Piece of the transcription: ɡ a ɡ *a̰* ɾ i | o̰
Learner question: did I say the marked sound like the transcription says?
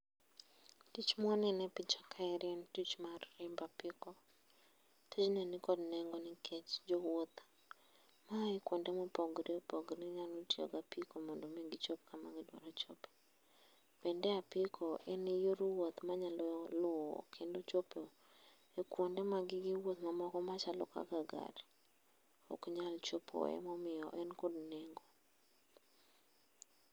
yes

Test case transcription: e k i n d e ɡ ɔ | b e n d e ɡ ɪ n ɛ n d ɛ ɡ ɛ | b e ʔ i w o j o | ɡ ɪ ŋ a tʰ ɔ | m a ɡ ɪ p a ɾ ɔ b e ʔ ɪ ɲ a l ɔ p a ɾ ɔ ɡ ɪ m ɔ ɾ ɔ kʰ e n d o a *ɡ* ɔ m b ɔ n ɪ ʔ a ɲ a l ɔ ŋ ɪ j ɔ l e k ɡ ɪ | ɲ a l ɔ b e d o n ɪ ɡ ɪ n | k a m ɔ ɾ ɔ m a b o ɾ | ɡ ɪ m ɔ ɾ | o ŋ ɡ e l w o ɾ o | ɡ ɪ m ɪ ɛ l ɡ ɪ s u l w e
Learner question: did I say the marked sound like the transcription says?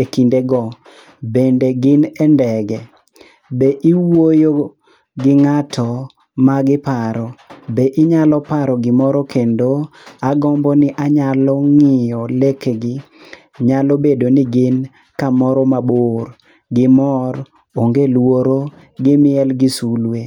yes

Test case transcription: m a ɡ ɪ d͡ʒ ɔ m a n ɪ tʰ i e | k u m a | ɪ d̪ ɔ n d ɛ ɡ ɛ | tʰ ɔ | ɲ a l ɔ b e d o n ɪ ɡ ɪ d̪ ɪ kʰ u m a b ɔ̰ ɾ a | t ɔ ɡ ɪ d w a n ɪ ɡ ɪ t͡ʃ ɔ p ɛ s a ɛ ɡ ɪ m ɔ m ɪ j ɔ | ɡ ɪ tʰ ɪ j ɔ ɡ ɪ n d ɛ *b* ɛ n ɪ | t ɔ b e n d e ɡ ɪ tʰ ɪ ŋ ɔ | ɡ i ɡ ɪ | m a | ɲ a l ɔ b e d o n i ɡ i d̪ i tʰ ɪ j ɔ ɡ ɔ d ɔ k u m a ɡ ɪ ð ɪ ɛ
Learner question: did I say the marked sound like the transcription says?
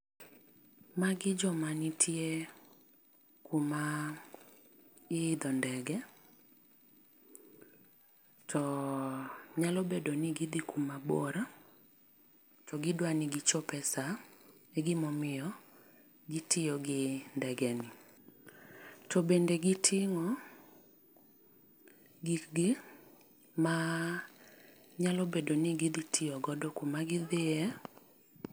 no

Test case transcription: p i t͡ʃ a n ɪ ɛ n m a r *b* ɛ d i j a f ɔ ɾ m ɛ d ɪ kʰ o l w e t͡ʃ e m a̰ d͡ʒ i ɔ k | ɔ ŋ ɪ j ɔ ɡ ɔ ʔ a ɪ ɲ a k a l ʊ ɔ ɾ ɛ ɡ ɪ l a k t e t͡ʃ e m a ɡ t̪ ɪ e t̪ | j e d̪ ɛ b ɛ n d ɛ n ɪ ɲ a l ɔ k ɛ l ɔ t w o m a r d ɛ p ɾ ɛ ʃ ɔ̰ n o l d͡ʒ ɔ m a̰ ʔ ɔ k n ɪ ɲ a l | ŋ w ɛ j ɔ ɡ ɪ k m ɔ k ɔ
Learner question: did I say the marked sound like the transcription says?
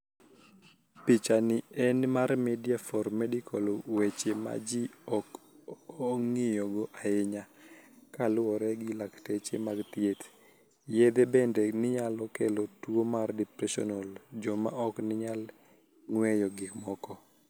no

